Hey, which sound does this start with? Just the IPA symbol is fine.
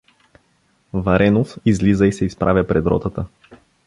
v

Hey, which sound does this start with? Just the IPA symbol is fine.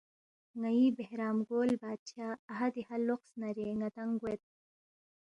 ŋ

